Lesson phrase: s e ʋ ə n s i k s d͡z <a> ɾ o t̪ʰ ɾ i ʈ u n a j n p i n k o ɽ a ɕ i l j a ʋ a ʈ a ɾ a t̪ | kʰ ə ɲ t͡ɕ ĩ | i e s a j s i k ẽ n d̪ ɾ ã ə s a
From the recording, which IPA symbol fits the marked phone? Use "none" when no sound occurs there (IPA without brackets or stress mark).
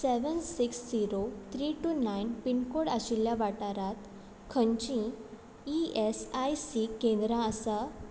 i